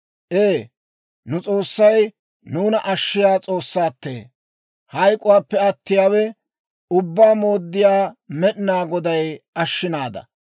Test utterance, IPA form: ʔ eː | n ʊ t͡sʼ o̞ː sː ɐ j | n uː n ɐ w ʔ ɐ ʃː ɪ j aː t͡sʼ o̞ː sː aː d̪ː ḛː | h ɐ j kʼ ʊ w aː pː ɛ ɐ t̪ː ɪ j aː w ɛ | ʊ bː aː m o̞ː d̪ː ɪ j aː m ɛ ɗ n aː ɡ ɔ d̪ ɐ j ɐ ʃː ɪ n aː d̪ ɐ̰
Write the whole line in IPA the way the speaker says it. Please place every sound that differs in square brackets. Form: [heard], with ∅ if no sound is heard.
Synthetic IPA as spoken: ʔ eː | n ʊ t͡sʼ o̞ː sː ɐ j | n uː n ɐ [∅] ʔ ɐ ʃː ɪ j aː t͡sʼ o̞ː sː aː [t̪ː] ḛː | h ɐ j kʼ ʊ w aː pː ɛ ɐ t̪ː ɪ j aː w ɛ | ʊ bː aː m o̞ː d̪ː ɪ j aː m ɛ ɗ n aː ɡ ɔ d̪ ɐ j ɐ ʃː ɪ n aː d̪ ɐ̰